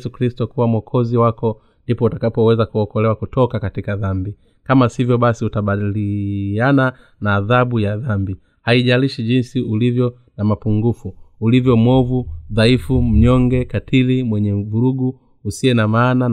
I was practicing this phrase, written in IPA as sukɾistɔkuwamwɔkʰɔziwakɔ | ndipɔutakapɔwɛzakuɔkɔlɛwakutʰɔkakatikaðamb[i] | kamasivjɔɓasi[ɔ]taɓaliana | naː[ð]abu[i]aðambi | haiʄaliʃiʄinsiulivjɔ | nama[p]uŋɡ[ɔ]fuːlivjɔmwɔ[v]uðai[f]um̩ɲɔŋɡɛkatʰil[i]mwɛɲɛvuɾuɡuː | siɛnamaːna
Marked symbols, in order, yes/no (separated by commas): yes, no, yes, no, yes, no, yes, yes, yes